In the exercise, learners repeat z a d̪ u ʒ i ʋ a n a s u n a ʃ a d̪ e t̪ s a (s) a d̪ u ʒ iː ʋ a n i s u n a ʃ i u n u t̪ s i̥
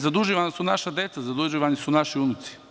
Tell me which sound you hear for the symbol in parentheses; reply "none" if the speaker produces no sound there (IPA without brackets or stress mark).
z